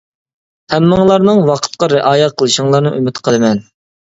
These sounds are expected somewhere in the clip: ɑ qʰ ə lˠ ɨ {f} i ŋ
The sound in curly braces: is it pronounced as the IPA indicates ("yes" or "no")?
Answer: no